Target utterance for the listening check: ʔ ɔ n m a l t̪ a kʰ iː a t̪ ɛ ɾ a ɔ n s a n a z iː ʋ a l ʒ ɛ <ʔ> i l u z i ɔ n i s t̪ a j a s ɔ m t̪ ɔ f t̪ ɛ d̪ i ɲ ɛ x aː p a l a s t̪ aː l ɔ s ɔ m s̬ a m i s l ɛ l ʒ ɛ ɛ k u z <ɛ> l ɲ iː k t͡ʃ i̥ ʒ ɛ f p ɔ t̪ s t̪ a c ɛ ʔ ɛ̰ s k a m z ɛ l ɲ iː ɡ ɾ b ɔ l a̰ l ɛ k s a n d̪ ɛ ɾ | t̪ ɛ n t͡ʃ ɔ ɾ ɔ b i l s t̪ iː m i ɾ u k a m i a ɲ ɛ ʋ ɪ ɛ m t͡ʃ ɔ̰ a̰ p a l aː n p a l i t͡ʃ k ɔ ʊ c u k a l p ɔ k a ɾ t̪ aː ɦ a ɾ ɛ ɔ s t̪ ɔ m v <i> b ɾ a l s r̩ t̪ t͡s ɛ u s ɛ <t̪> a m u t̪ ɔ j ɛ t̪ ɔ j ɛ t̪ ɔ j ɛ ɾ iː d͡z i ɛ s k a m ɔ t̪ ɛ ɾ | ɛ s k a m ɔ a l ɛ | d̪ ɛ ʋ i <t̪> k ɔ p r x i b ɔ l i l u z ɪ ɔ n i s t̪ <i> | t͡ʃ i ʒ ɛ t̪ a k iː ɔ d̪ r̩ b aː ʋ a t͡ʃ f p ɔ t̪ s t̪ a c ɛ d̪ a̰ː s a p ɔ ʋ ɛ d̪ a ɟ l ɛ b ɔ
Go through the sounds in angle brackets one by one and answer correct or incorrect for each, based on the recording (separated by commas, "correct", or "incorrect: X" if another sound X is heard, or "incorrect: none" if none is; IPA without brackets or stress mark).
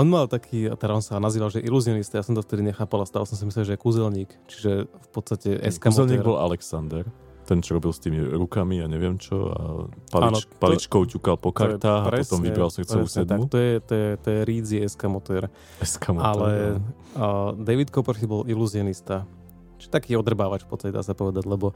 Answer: correct, correct, correct, incorrect: d̪, correct, incorrect: a